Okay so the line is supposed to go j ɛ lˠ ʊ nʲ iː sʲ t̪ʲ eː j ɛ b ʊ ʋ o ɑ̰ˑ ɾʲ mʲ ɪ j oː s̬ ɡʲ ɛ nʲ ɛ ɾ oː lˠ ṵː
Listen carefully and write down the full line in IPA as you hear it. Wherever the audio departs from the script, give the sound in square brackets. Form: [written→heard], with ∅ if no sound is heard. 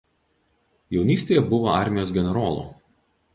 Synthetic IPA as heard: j ɛ [lˠ→∅] ʊ nʲ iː sʲ t̪ʲ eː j ɛ b ʊ ʋ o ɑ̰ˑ ɾʲ mʲ ɪ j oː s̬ ɡʲ ɛ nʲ ɛ ɾ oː lˠ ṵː